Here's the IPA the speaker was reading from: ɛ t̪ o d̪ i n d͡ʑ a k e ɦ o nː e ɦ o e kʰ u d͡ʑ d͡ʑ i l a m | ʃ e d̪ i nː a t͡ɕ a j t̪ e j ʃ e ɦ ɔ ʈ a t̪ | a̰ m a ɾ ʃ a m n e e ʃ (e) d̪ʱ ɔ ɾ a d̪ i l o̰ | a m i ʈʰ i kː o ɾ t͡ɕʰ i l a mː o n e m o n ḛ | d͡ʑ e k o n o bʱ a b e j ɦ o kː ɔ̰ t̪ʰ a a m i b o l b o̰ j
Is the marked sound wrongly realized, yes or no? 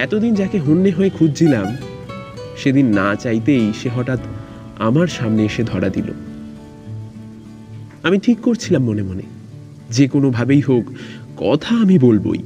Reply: no